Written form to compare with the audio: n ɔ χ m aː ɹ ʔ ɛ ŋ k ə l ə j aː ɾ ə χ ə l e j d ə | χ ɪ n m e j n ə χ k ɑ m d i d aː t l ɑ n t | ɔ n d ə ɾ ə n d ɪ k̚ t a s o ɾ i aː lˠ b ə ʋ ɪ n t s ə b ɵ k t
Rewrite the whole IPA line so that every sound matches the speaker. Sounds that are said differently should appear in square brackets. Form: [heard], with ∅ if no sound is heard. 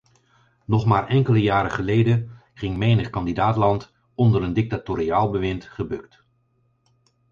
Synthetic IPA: n ɔ χ m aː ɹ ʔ ɛ ŋ k ə l ə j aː ɾ ə χ ə l e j d ə | χ ɪ [ŋ] m e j n ə χ k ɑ [n] d i d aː t l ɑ n t | ɔ n d ə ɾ ə n d ɪ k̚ t a [t] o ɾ i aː lˠ b ə ʋ ɪ n t [χ] ə b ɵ k t